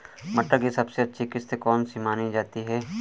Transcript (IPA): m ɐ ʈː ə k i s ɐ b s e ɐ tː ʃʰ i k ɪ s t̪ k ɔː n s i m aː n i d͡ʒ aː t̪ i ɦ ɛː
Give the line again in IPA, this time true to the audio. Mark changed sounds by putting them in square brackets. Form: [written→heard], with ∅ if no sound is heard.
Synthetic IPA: m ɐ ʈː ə k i s ɐ b s e ɐ tː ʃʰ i k ɪ s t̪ k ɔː n s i m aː n i d͡ʒ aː t̪ i ɦ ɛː